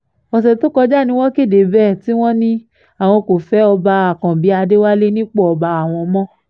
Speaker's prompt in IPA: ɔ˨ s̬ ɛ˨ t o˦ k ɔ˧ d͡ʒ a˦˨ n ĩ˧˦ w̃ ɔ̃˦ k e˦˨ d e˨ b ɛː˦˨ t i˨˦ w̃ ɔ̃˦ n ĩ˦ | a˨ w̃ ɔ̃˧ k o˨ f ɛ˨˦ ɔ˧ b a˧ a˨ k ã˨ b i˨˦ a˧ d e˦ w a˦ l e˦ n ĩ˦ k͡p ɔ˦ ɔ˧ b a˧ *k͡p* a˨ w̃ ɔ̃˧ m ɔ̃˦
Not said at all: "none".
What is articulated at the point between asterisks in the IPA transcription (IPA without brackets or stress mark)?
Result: none